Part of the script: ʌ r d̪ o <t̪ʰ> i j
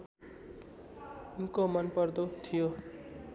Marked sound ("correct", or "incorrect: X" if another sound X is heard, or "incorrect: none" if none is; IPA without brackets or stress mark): correct